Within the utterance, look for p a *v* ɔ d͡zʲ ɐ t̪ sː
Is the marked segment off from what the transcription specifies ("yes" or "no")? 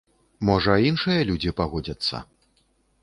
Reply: yes